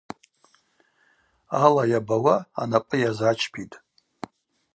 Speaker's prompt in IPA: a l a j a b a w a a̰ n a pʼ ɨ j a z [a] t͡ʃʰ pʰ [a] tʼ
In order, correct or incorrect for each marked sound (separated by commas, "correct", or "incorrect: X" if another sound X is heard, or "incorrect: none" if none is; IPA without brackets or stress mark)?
correct, incorrect: i